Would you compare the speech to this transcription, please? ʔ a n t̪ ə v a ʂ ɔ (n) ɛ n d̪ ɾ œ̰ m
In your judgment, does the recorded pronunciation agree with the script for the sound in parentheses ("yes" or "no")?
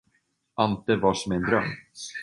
no